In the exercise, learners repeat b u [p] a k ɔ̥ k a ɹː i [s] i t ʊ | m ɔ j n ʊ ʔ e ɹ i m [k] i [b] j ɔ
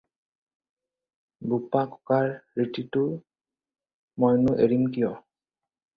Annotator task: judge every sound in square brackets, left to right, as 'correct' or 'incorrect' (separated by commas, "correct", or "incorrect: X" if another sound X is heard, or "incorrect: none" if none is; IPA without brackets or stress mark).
correct, incorrect: t, correct, incorrect: none